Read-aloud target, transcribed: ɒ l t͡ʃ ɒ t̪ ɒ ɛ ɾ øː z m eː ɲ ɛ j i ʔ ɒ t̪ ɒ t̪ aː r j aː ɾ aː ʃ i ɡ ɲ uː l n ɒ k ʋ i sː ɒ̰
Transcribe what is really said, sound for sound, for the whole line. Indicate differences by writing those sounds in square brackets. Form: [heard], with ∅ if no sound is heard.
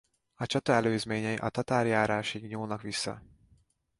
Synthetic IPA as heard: ɒ [∅] t͡ʃ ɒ t̪ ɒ ɛ [l] øː z m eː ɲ ɛ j i ʔ ɒ t̪ ɒ t̪ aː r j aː ɾ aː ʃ i ɡ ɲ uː l n ɒ k ʋ i sː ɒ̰